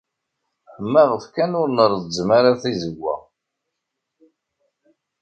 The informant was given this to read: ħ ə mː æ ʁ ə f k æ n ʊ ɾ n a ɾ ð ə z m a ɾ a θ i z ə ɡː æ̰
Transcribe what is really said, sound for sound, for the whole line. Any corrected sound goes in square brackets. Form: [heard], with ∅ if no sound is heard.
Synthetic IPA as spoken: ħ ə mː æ ʁ ə f k æ n ʊ ɾ n [ə] ɾ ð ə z m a ɾ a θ i z ə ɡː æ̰

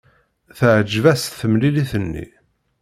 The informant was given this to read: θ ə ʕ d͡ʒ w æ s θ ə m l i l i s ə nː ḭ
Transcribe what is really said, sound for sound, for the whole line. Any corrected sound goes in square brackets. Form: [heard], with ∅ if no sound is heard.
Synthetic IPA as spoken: θ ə ʕ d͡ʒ [v] æ s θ ə m l i l i [θ] ə nː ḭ

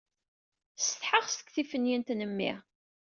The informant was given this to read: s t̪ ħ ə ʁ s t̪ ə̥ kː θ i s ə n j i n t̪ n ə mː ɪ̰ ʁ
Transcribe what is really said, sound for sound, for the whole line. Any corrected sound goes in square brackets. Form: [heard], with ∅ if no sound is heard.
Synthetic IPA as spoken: s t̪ ħ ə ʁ s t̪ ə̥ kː θ i [f] ə n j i n t̪ n ə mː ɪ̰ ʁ

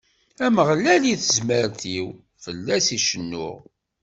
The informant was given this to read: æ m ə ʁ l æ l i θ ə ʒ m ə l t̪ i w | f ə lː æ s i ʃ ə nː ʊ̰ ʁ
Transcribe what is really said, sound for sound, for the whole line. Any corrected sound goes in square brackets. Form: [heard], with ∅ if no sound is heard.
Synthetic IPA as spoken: æ m ə ʁ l æ l i θ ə [z] m ə [ɾ] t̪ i w | f ə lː æ s i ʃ ə nː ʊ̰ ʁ

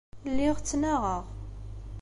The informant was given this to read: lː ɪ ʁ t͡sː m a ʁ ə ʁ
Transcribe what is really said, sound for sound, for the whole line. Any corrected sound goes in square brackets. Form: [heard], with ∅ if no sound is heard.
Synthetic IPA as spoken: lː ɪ ʁ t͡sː [n] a ʁ ə ʁ

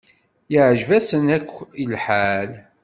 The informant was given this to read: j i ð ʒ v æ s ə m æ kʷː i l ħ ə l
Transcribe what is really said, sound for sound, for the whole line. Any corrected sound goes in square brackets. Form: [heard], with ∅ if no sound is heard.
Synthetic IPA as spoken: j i [ʕ] ʒ v æ s ə [n] æ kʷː i l ħ [a] l

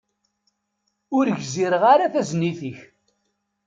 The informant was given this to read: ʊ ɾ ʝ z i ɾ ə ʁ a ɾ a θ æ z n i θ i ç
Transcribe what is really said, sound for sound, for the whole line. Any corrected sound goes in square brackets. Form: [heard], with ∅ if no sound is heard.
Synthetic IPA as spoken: ʊ ɾ ʝ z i ɾ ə ʁ a ɾ a θ æ z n i θ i ç

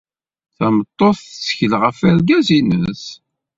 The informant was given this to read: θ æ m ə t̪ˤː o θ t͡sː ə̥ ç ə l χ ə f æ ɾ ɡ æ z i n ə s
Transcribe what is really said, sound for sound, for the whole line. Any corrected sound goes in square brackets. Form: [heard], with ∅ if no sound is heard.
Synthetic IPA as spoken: θ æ m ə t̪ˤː o θ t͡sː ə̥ ç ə l [ʁ] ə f æ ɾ ɡ æ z i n ə s

